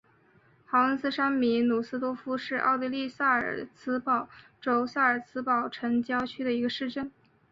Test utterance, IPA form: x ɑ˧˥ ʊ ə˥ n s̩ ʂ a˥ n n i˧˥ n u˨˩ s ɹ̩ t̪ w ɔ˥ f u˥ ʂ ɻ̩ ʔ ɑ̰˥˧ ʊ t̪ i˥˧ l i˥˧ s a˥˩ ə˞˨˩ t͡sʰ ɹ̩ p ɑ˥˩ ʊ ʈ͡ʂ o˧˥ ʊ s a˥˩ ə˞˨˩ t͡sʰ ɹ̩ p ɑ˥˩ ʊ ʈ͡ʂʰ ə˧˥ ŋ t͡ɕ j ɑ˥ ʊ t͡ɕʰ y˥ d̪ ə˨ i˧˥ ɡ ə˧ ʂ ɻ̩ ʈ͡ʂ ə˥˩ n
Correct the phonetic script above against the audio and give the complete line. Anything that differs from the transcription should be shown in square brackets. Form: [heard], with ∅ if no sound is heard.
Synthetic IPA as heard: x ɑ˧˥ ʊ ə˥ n s̩ ʂ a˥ n [m] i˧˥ n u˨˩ s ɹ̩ t̪ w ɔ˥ f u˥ ʂ ɻ̩ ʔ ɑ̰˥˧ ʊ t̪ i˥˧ l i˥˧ s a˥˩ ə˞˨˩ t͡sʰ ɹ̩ p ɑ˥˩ ʊ ʈ͡ʂ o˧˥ ʊ s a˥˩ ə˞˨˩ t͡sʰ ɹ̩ p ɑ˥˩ ʊ ʈ͡ʂʰ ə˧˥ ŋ t͡ɕ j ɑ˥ ʊ t͡ɕʰ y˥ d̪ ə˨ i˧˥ ɡ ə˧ ʂ ɻ̩ ʈ͡ʂ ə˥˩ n